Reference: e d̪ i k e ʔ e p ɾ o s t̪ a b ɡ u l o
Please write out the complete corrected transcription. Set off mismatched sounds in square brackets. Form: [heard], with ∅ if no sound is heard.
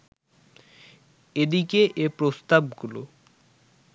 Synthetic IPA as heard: e d̪ i k e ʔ e p ɾ o s t̪ a b ɡ u l o